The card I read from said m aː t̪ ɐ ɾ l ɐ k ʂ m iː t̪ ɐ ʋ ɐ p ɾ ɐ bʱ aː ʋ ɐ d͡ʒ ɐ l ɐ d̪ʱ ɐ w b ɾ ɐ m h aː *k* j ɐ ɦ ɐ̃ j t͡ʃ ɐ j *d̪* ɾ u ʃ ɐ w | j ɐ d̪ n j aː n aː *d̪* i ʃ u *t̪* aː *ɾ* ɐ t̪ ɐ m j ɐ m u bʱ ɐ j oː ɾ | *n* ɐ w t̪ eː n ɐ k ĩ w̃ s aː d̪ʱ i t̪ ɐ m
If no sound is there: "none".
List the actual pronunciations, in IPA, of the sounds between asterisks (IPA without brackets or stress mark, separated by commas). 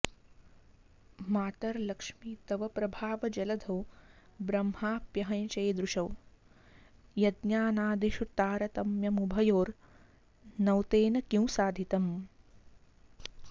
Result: p, d̪, d̪, t̪, ɾ, n